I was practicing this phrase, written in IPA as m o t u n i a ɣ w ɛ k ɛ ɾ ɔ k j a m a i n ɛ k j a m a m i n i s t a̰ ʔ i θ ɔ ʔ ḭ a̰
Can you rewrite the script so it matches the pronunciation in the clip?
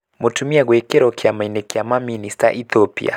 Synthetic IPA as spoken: m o t u m i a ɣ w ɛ k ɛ ɾ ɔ k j a m a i n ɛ k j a m a m i n i s t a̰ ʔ i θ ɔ p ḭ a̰